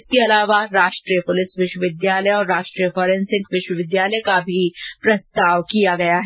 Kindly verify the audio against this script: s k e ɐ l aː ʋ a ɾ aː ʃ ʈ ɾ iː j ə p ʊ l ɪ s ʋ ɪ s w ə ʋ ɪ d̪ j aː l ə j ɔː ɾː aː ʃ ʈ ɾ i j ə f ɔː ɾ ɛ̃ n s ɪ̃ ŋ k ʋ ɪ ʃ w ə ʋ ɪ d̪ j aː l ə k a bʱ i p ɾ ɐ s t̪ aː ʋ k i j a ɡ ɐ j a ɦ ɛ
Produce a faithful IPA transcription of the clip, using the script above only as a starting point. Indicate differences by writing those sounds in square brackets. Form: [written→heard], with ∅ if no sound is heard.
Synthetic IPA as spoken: s k e ɐ l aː ʋ a ɾ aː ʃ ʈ ɾ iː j ə p ʊ l ɪ s ʋ ɪ [s→ʃ] w ə ʋ ɪ d̪ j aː l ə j ɔː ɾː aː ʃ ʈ ɾ i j ə f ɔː ɾ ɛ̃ n s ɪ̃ ŋ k ʋ ɪ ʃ w ə ʋ ɪ d̪ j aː l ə k a bʱ i p ɾ ɐ s t̪ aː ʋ k i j a ɡ ɐ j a ɦ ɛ